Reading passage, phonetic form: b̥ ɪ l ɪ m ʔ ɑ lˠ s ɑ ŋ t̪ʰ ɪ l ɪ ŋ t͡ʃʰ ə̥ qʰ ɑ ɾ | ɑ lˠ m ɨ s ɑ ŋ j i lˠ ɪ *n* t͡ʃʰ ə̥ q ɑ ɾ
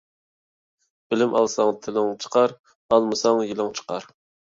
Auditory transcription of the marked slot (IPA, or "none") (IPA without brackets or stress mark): ŋ